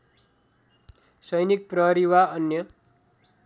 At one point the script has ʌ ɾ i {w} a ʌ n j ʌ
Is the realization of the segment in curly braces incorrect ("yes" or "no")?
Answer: no